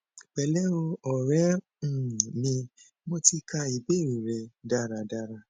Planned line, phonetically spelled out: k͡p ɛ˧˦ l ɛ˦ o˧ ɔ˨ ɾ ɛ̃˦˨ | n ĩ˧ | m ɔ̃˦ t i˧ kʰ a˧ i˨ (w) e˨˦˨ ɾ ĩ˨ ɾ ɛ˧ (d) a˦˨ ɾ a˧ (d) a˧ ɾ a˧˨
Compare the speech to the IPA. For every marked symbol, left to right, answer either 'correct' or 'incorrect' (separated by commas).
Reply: incorrect, correct, correct